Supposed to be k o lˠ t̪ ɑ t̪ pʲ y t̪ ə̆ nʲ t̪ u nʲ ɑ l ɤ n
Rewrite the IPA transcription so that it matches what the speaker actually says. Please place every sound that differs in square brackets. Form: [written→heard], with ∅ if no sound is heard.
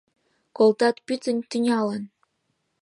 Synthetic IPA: k o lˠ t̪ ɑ t̪ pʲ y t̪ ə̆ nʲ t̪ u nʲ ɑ l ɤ n